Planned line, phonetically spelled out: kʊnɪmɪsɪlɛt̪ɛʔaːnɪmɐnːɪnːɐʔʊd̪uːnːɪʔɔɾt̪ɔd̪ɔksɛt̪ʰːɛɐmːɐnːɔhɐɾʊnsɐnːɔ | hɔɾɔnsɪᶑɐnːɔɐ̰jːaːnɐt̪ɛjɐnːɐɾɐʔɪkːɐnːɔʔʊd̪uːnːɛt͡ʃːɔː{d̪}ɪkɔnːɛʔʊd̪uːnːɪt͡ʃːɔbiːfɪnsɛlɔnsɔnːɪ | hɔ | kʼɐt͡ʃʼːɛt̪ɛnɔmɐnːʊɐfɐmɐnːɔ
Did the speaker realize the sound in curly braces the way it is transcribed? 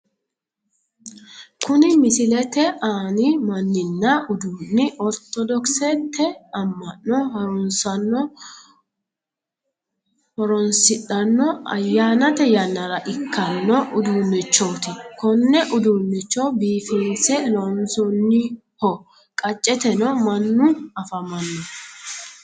no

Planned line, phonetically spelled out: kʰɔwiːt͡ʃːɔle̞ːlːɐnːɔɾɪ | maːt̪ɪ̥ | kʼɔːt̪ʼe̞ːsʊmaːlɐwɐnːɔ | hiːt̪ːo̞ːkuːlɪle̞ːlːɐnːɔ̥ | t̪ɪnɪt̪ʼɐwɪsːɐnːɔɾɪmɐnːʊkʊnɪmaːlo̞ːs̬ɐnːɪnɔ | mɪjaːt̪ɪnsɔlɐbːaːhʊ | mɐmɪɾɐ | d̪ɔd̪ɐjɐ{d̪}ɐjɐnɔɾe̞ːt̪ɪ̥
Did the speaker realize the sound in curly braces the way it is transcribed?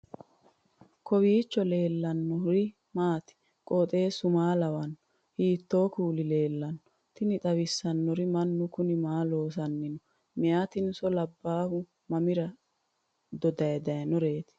yes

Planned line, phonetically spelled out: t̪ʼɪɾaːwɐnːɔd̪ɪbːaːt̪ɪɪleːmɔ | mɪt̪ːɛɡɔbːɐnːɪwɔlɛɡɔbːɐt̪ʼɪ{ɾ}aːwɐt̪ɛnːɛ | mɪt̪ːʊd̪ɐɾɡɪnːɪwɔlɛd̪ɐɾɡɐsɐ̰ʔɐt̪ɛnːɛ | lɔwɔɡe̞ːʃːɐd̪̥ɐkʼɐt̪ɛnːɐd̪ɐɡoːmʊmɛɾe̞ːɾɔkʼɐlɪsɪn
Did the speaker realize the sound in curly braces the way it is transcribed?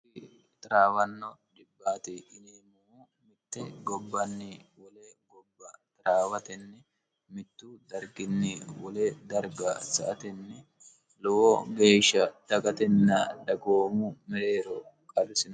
yes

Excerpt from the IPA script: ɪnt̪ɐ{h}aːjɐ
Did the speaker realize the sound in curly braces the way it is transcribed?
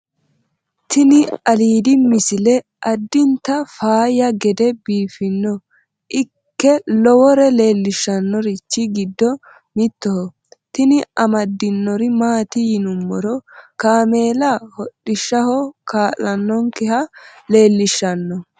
no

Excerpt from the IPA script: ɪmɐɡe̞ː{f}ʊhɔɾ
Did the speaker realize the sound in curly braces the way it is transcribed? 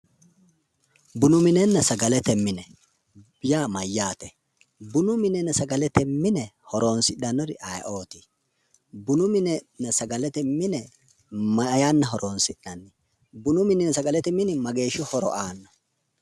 no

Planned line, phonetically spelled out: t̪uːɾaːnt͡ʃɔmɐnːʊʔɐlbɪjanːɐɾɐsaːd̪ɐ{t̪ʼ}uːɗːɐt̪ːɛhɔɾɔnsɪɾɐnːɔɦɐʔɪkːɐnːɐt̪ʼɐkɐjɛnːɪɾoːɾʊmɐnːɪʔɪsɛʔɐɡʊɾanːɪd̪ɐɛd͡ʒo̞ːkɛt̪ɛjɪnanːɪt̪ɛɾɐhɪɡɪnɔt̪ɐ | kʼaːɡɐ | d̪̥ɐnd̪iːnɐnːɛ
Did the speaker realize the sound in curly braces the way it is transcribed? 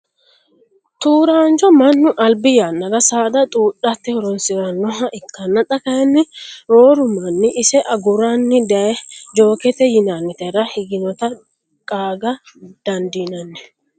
yes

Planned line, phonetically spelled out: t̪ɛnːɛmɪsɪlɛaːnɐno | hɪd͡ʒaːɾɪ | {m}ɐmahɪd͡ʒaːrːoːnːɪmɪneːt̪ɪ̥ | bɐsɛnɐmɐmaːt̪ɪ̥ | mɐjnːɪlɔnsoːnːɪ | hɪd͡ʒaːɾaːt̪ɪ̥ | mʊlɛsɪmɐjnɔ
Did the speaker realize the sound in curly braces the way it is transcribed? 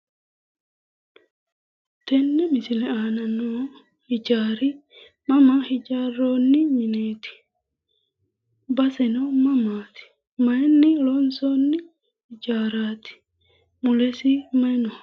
yes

